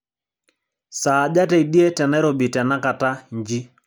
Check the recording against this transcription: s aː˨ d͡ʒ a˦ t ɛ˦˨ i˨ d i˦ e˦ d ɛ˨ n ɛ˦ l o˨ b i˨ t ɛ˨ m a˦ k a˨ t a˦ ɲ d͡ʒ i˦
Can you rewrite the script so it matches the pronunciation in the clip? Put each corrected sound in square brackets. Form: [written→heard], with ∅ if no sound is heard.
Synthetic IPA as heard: s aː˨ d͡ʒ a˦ t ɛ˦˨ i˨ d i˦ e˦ [d→t] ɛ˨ n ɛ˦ [l→ɾ] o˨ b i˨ t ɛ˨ [m→n] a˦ k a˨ t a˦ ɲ d͡ʒ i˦